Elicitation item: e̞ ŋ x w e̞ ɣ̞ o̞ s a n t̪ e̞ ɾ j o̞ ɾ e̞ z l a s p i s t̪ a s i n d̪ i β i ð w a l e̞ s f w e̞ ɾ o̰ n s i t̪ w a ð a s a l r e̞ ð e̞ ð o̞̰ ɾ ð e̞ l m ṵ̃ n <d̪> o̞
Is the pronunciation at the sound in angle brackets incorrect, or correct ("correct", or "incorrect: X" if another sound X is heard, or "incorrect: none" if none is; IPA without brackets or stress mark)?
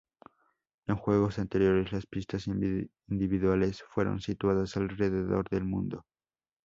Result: correct